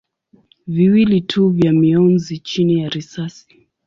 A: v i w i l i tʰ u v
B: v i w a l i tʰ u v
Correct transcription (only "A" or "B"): A